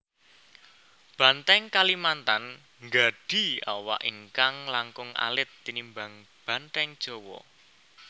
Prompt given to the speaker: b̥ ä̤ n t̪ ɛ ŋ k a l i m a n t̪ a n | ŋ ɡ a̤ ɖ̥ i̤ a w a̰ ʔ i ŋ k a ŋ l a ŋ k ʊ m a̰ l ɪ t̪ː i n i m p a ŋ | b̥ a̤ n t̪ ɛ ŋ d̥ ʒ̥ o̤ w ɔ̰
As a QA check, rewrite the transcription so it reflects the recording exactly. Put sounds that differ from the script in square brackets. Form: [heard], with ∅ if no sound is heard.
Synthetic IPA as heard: b̥ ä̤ n t̪ ɛ ŋ k a l i m a n t̪ a n | ŋ ɡ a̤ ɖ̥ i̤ a w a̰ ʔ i ŋ k a ŋ l a ŋ k ʊ [ŋ] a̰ l ɪ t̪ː i n i m [b] a ŋ | b̥ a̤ n t̪ ɛ ŋ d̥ ʒ̥ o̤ w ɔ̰